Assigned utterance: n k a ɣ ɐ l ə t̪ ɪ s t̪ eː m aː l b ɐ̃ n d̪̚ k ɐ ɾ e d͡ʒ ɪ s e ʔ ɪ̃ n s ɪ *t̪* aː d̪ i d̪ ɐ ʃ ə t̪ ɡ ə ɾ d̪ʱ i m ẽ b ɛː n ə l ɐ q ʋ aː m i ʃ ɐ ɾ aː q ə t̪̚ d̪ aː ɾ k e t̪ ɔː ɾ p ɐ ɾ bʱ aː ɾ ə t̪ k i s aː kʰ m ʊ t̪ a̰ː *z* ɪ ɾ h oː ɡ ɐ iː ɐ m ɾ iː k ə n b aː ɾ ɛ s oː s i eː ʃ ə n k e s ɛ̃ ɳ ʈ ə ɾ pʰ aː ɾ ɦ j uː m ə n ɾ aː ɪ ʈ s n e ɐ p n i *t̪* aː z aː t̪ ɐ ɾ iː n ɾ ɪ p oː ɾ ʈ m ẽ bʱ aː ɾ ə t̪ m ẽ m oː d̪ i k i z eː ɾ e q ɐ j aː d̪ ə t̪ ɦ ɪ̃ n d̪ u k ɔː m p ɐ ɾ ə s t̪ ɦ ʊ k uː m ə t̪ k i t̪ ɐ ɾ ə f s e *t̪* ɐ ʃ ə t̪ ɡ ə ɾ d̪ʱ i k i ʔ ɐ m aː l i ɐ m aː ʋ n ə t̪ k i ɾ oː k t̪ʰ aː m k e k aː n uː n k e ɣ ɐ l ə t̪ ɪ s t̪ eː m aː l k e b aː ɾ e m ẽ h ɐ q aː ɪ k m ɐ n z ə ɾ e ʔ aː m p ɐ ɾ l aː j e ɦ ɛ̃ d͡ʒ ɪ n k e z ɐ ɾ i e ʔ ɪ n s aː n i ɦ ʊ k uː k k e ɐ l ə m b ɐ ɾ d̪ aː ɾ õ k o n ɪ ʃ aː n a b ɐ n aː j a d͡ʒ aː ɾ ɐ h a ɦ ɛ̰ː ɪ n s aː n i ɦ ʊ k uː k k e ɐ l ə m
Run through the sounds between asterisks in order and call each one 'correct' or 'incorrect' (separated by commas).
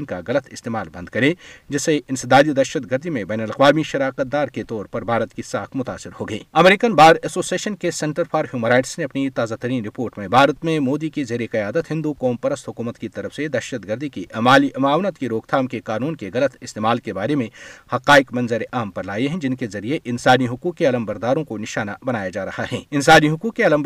incorrect, incorrect, correct, incorrect